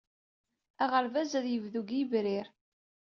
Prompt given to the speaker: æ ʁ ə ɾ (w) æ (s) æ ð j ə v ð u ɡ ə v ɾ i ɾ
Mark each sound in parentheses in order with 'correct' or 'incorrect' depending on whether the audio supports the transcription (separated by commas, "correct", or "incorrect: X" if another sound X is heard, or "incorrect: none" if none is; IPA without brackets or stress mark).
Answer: incorrect: v, incorrect: z